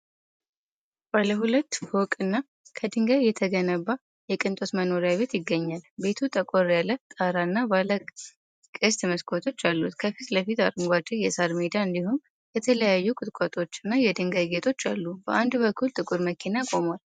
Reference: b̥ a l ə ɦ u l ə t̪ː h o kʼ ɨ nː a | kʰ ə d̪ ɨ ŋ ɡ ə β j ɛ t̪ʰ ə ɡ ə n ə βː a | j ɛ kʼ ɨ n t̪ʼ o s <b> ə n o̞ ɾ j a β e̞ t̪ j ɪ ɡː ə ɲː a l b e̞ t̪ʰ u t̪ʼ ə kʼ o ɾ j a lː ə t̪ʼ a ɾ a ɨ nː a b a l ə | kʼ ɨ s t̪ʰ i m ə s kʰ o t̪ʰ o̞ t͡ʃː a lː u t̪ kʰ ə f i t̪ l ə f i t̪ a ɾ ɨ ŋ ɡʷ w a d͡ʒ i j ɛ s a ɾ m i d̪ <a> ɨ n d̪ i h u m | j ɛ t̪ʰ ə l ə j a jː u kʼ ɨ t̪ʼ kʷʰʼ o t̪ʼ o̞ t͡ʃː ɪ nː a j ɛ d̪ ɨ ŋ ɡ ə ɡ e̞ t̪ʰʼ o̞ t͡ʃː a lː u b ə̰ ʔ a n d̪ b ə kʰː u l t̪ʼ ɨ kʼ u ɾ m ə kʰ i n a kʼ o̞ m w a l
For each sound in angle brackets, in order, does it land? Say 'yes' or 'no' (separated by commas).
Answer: no, yes